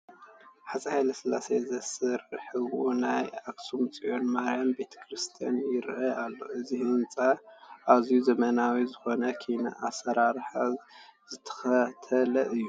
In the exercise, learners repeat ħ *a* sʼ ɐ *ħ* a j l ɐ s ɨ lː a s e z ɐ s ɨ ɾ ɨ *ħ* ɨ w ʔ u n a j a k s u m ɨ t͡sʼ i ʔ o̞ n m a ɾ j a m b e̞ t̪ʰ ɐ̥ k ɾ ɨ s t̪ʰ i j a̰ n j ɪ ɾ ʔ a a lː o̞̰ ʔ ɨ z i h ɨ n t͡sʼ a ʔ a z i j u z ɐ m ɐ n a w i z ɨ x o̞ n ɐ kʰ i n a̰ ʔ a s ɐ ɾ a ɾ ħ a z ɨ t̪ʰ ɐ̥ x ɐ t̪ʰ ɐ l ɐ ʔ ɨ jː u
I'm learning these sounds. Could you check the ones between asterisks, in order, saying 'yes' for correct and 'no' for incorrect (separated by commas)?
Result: yes, no, yes